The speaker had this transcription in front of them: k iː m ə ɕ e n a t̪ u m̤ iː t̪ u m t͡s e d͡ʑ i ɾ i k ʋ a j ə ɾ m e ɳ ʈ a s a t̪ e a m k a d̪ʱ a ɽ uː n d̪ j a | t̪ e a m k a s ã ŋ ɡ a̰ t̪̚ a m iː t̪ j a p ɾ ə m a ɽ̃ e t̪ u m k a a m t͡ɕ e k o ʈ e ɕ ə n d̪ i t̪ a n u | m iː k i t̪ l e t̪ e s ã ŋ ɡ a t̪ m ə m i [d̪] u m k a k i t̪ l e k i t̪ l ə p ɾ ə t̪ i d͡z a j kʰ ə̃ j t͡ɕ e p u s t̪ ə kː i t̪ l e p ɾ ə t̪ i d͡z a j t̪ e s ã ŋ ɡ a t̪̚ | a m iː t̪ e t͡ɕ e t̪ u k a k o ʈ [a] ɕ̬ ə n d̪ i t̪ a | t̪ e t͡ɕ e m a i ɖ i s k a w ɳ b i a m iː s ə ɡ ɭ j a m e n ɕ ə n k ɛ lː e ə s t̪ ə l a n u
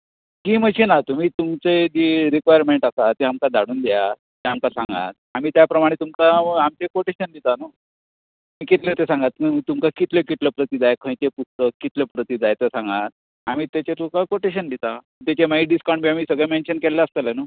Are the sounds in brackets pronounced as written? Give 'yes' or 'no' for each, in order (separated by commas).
no, no